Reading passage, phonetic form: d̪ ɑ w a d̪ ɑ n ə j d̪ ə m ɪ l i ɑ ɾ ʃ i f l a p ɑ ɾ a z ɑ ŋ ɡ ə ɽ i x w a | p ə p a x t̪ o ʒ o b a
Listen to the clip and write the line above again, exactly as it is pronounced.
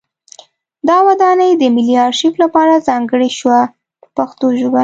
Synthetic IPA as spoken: d̪ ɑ w a d̪ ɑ n ə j d̪ ə m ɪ l i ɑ ɾ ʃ i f l a p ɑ ɾ a z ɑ ŋ ɡ ə ɽ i ʃ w a | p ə p a x t̪ o ʒ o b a